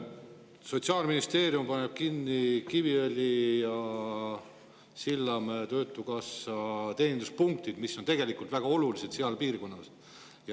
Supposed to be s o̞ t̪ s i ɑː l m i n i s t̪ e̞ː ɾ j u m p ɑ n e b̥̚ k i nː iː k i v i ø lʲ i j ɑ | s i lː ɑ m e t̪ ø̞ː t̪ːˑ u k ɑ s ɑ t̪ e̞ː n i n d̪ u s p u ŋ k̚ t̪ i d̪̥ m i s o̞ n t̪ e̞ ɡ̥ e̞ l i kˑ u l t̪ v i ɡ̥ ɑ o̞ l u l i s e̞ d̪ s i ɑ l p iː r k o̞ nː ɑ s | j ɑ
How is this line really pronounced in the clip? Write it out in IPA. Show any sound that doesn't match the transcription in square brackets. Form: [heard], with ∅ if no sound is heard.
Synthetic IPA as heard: s o̞ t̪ s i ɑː l m i n i s t̪ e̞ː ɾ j u m p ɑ n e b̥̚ k i nː [i] k i v i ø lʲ i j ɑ | s i lː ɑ m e t̪ ø̞ː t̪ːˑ u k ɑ s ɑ t̪ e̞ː n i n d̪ u s p u ŋ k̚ t̪ i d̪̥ m i s o̞ n t̪ e̞ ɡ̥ e̞ l i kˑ u l t̪ v [æ] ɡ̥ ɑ o̞ l u l i s e̞ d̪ s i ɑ l p iː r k o̞ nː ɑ s | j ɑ